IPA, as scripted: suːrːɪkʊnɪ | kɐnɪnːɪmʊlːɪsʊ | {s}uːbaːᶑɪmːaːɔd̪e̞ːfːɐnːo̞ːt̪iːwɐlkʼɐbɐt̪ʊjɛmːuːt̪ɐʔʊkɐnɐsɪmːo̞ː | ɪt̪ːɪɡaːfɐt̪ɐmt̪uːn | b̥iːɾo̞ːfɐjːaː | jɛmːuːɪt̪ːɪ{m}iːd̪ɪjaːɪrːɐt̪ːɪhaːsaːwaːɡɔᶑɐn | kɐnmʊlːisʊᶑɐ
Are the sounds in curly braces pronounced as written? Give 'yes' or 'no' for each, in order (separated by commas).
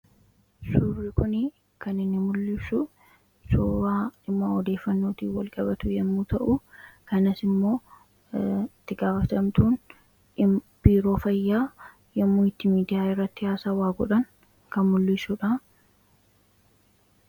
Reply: yes, yes